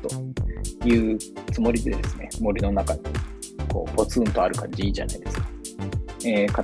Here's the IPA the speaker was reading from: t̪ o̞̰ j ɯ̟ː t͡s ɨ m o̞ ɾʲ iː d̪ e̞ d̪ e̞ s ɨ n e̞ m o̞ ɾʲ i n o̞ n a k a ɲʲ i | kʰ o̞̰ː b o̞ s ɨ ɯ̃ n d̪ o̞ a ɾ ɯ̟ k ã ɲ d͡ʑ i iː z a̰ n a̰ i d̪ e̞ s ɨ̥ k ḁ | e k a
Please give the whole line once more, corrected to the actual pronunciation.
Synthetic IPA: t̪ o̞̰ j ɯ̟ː t͡s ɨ m o̞ ɾʲ i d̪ e̞ d̪ e̞ s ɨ n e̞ m o̞ ɾʲ i n o̞ n a k a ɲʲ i | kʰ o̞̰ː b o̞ t͡s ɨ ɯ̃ n t̪ o̞ a ɾ ɯ̟ k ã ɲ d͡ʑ i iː ʑ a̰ n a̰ i d̪ e̞ s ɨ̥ k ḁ | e k a